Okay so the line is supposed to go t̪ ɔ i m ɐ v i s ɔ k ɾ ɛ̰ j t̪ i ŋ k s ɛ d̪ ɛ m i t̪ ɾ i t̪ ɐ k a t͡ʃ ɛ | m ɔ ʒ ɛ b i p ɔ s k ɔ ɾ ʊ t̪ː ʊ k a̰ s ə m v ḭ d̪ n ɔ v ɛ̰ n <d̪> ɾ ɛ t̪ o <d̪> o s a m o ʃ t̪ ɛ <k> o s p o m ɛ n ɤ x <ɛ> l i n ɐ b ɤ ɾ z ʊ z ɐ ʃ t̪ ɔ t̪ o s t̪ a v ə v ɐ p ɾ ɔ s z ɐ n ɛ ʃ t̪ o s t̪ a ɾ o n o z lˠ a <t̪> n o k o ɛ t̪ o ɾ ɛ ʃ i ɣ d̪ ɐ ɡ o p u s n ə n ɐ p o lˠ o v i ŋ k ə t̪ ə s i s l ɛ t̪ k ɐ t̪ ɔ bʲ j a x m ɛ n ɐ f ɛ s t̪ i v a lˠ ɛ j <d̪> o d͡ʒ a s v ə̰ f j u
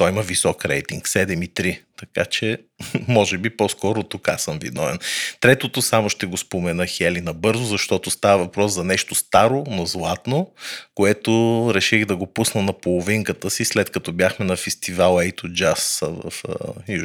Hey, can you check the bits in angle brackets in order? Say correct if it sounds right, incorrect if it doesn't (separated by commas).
incorrect, incorrect, incorrect, correct, correct, incorrect